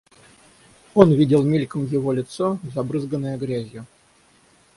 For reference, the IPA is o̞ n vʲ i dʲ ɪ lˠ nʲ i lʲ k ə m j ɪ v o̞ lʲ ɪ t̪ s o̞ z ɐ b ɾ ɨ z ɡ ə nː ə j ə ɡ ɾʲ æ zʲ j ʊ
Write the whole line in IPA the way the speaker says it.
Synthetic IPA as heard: o̞ n vʲ i dʲ ɪ lˠ mʲ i lʲ k ə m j ɪ v o̞ lʲ ɪ t̪ s o̞ z ɐ b ɾ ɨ z ɡ ə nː ə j ə ɡ ɾʲ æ zʲ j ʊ